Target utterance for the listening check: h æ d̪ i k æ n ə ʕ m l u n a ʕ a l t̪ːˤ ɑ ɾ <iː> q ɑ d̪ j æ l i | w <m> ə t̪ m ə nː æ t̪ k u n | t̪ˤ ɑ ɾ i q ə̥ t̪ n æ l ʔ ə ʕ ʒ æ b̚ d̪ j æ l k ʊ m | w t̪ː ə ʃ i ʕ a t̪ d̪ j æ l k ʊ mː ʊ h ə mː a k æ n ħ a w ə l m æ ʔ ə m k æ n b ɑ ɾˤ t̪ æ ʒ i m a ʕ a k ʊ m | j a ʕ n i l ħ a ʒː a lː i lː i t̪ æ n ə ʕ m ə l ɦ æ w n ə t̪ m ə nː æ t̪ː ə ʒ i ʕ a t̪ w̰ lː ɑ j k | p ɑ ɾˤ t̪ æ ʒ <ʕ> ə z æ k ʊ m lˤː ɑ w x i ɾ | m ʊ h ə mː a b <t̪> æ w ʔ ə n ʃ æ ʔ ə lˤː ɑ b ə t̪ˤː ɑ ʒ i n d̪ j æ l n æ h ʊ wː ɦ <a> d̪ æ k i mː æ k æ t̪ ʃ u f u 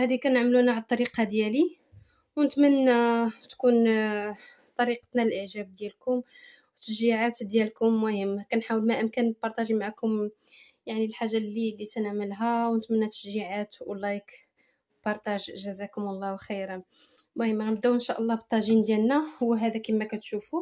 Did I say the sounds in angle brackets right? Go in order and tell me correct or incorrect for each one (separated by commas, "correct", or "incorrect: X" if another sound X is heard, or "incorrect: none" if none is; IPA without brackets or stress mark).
incorrect: i, incorrect: n, incorrect: ʒ, incorrect: d̪, incorrect: æ